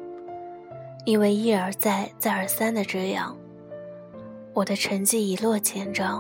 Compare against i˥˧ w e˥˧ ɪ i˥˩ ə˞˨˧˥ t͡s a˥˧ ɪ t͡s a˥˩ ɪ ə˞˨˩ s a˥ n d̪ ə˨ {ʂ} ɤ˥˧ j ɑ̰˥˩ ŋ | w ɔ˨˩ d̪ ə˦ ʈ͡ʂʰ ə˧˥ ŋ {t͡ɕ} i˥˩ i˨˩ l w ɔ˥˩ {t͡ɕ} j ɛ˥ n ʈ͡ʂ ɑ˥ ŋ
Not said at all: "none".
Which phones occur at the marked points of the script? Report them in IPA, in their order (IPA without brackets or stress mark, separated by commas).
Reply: ʈ͡ʂ, t͡ɕ, t͡ɕʰ